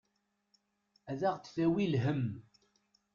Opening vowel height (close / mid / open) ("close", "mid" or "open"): open